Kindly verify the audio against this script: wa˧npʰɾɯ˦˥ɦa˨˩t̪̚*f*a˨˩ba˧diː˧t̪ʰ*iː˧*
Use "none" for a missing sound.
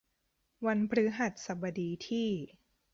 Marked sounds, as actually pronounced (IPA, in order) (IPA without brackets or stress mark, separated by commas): s, iː˥˩